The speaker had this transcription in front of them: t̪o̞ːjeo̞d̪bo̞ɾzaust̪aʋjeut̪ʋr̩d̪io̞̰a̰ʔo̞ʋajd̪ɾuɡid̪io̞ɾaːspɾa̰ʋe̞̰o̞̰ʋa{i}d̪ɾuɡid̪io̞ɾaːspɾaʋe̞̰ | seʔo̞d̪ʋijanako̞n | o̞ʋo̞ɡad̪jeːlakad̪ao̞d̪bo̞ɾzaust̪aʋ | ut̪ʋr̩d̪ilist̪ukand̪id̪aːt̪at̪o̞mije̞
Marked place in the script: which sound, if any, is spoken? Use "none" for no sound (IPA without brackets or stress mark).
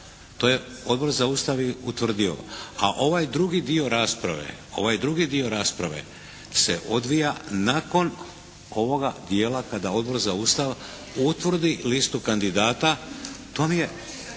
j